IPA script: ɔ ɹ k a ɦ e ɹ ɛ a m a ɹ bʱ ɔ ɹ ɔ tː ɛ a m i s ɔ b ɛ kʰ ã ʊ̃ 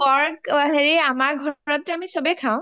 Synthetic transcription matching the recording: ɔ ɹ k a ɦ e ɹ i a m a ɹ ɡʱ ɔ ɹ ɔ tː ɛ a m i s ɔ b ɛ kʰ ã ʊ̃